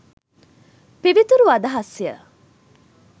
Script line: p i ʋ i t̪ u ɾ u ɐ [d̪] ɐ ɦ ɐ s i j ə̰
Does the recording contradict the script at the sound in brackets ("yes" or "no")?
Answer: no